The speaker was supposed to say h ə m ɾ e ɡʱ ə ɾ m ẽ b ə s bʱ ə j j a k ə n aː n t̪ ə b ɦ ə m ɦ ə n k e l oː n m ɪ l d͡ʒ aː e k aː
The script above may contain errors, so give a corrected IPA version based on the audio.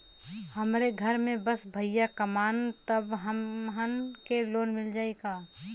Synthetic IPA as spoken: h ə m ɾ e ɡʱ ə ɾ m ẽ b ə s bʱ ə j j a k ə m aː n t̪ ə b ɦ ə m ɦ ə n k e l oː n m ɪ l d͡ʒ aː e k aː